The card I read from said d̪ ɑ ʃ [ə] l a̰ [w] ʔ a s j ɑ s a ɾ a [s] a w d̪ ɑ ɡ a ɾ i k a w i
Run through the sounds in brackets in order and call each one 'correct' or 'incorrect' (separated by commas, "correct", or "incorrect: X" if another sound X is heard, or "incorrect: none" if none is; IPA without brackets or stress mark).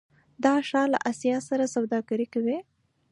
incorrect: ɑ, incorrect: none, correct